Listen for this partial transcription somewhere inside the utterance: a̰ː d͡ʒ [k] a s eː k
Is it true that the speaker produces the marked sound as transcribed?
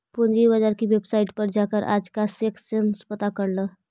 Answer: yes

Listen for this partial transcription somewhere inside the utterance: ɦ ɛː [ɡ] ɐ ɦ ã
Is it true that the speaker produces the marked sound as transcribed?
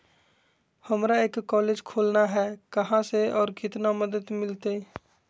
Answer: no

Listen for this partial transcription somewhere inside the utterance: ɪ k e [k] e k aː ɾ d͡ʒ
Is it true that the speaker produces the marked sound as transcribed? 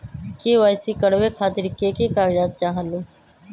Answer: yes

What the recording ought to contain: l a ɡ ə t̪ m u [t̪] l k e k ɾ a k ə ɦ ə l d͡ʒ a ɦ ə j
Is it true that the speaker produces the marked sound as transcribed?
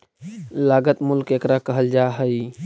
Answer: no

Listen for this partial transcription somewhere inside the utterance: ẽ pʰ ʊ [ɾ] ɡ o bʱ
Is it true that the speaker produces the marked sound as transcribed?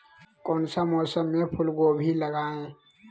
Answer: no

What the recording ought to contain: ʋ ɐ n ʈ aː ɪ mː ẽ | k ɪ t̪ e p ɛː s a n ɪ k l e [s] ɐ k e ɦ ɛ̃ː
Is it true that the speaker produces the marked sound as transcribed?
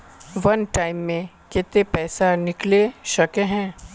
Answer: no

